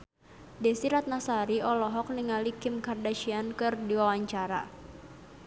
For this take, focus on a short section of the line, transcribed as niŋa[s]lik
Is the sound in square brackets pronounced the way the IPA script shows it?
no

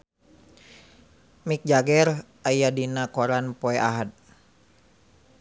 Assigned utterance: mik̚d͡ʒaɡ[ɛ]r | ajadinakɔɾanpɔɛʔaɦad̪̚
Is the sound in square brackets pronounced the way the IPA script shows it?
yes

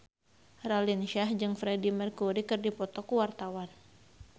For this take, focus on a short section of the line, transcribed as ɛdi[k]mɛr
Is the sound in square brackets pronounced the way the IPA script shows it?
no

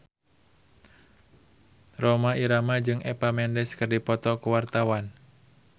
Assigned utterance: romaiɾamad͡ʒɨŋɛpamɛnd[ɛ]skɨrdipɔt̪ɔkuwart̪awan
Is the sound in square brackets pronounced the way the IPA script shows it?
yes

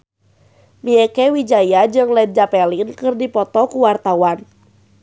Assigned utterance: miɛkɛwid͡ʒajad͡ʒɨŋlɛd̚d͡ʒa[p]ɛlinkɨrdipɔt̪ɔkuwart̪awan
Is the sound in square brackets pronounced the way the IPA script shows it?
yes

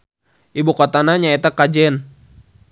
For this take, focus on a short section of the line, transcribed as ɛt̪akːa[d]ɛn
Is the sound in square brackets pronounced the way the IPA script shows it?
no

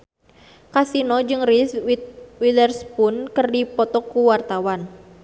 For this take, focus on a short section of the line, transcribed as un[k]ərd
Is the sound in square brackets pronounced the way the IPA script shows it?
yes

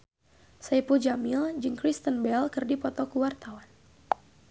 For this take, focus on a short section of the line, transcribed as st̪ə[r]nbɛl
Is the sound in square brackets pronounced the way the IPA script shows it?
no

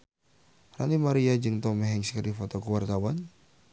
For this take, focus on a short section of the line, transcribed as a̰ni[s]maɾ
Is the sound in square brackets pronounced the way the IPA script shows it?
no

